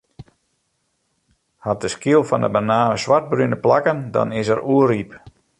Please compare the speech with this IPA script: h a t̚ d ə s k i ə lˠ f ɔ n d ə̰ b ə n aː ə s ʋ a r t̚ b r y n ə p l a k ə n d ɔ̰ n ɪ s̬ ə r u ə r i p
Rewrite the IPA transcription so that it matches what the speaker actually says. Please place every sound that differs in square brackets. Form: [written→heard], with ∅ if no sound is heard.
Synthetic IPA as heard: h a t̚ d ə s k i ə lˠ f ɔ n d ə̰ b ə n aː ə s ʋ a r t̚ b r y n ə p l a k ə n d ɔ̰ n ɪ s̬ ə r u ə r i p